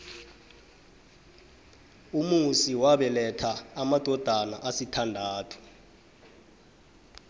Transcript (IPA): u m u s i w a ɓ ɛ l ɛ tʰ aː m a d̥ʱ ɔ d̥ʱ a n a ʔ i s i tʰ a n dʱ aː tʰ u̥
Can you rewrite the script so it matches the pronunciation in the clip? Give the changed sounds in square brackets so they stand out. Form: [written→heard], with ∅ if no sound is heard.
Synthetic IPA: u m u s i w a ɓ ɛ l ɛ tʰ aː m a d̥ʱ ɔ d̥ʱ a n a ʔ [i→a] s i tʰ a n dʱ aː tʰ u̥